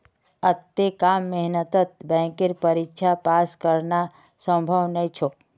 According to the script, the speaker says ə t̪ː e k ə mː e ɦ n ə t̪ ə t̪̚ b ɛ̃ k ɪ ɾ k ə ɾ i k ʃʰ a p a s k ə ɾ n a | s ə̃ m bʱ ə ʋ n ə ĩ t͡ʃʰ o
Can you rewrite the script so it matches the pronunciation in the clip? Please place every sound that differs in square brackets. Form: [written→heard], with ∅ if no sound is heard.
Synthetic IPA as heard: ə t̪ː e k [ə→a] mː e ɦ n ə t̪ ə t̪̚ b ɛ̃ k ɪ ɾ [k→p] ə ɾ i k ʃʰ a p a s k ə ɾ n a | s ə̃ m bʱ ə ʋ n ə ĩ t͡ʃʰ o